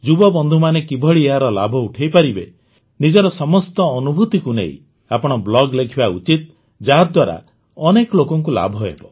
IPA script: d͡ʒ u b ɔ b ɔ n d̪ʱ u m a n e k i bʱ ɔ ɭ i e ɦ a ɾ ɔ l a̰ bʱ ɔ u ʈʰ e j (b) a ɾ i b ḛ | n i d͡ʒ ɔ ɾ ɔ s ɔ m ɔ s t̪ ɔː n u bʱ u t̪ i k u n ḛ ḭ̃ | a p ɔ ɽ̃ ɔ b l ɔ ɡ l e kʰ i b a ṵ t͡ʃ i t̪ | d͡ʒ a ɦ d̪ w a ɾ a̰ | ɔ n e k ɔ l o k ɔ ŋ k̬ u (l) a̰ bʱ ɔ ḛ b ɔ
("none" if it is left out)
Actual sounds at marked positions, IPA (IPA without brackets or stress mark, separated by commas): p, l